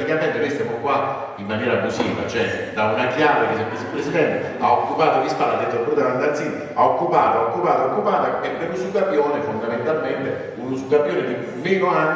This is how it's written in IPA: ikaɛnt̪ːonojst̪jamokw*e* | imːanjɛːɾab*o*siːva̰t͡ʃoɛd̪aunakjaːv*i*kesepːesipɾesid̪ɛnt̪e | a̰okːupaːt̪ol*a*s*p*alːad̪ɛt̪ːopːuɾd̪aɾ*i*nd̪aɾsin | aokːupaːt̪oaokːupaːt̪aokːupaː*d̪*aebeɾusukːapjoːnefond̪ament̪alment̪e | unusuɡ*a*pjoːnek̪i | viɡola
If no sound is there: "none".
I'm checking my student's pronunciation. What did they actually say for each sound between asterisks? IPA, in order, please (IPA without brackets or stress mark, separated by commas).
a, u, e, i, p, a, t̪, a